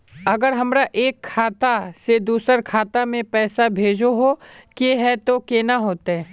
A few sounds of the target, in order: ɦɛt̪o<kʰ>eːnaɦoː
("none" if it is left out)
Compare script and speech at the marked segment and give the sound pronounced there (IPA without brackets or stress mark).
k